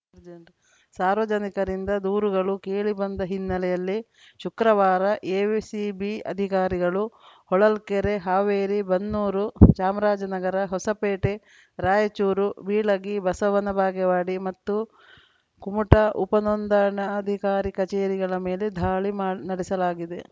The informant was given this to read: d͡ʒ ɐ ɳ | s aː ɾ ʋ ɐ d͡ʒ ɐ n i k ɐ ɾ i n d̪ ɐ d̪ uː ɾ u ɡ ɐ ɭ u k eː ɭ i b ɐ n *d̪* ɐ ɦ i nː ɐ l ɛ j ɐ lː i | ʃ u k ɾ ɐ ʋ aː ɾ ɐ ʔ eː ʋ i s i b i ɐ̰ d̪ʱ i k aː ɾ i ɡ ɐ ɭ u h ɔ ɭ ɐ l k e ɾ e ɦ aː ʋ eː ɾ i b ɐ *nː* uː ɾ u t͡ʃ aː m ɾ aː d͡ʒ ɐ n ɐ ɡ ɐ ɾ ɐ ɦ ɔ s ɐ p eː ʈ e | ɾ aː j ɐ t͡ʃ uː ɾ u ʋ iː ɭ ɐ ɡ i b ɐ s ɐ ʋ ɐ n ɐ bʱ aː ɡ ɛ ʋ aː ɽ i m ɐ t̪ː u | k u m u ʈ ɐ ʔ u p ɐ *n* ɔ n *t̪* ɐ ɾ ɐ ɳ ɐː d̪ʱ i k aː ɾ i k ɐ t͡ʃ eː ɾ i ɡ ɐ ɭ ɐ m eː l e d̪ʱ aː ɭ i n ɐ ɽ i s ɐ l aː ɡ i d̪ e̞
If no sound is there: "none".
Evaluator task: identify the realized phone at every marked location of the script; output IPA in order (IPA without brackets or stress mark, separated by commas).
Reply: d̪, nː, n, d̪